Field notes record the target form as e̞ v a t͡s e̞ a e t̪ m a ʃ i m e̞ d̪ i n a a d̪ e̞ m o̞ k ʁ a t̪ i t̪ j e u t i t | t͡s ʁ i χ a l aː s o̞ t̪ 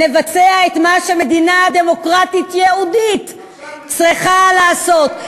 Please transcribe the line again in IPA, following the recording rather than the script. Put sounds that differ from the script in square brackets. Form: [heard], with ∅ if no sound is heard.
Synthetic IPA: e̞ v a t͡s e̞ a e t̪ m a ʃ [e] m e̞ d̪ i n a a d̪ e̞ m o̞ k ʁ a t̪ i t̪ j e u [d] i t | t͡s ʁ i χ a l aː s o̞ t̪